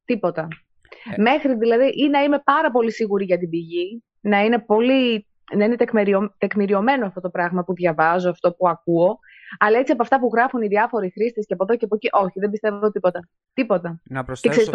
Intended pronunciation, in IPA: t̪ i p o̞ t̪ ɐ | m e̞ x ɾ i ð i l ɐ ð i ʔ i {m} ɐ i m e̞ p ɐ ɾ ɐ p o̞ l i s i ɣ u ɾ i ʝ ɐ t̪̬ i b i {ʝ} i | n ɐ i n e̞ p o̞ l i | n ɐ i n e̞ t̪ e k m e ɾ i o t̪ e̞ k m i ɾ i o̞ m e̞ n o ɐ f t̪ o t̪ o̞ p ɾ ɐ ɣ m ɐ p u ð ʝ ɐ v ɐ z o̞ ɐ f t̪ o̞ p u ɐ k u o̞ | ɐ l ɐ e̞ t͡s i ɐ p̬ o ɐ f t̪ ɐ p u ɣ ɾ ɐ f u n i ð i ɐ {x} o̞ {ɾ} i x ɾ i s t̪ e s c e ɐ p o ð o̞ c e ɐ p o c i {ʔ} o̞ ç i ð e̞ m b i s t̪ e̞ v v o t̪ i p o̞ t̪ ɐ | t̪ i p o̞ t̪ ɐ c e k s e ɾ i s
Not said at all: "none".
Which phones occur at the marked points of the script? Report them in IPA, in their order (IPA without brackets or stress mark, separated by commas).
n, ʝ, f, ɾ, ʔ